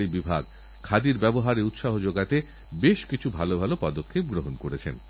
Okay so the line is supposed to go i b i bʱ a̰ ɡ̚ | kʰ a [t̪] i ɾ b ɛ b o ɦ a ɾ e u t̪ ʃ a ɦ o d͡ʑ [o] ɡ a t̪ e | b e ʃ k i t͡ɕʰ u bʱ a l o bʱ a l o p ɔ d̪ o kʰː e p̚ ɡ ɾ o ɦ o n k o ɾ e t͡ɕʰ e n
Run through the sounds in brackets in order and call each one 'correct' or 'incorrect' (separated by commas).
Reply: incorrect, correct